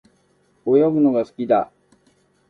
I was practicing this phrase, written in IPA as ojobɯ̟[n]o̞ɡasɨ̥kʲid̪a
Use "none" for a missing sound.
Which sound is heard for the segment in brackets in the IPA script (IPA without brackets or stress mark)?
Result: n